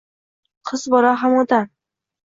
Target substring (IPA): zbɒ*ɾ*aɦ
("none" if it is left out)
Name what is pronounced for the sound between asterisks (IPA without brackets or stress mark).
ɾ